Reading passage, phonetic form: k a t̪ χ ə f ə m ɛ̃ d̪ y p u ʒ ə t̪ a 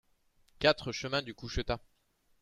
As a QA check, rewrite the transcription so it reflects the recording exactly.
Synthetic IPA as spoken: k a t̪ χ ə ʃ ə m ɛ̃ d̪ y k u ʃ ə t̪ a